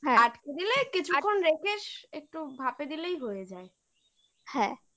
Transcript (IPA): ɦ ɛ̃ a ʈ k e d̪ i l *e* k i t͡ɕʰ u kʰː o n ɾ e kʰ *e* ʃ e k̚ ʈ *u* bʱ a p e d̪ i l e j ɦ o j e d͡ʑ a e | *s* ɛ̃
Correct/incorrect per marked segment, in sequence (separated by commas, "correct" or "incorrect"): correct, correct, correct, incorrect